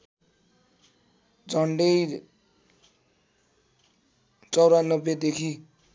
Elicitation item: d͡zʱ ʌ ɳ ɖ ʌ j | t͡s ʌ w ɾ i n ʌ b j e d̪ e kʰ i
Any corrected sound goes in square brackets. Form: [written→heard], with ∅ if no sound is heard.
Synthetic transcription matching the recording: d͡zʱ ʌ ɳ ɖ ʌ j | t͡s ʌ w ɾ [i→a] n ʌ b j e d̪ e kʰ i